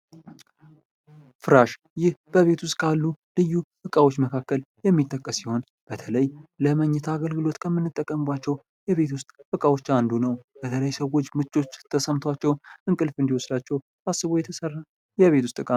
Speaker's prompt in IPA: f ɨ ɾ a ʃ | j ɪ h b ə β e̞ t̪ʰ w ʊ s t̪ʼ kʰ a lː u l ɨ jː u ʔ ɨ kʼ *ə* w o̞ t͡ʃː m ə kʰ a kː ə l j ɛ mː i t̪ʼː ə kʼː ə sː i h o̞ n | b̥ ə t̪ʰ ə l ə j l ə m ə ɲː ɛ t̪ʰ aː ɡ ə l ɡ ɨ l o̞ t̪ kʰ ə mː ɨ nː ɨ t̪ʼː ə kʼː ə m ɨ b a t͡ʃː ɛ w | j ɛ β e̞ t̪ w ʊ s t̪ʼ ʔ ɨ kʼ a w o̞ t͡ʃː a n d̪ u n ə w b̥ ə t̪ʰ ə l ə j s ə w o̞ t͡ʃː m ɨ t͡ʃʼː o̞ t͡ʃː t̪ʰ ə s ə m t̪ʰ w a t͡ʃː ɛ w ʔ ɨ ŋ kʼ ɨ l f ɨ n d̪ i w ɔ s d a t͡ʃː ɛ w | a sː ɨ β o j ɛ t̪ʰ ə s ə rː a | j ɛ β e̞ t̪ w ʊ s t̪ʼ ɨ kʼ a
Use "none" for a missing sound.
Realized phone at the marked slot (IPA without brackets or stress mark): a